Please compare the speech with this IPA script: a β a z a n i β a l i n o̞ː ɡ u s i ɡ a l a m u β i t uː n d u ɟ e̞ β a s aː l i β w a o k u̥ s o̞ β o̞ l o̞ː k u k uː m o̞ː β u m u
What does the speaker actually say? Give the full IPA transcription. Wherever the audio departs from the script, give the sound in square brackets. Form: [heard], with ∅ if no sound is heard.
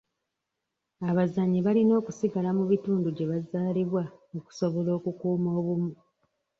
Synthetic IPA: a β a z a [ɲ] i β a l i n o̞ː [k] u s i ɡ a l a m u β i t uː n d u ɟ e̞ β a [z] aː l i β w a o k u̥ s o̞ β o̞ l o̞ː k u k uː m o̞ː β u m u